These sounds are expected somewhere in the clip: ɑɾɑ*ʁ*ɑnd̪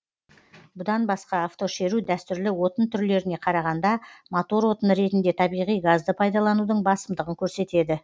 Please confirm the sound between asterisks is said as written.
yes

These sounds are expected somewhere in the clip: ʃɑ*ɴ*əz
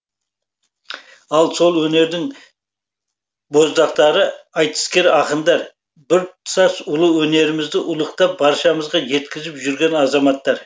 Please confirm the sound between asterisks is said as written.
no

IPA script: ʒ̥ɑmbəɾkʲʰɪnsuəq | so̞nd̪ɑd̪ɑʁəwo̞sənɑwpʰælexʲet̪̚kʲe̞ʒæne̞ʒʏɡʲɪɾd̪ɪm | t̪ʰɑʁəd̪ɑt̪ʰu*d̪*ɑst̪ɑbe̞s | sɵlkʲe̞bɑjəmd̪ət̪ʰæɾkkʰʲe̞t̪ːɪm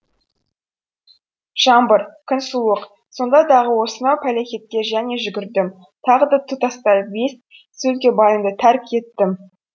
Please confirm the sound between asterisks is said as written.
no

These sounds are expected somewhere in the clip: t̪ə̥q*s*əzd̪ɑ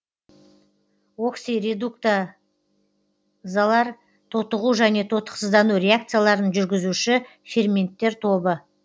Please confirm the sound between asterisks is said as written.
yes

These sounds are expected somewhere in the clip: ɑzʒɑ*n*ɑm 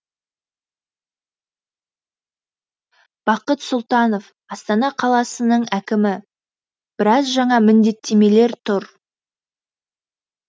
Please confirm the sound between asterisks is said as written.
no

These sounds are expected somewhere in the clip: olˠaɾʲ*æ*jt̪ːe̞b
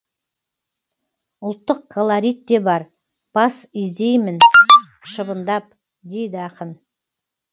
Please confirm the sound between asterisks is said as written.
no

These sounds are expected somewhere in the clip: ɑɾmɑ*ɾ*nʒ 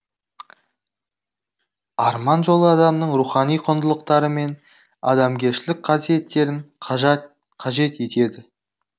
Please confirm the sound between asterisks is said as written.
no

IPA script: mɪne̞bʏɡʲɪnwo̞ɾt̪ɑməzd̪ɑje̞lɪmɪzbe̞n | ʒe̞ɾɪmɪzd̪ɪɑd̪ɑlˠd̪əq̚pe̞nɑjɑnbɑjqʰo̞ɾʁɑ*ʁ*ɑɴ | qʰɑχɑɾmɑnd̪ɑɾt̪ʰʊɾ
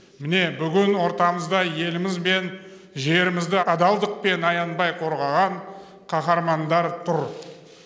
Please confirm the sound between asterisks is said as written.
yes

